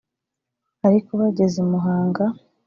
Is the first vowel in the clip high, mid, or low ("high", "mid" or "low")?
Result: low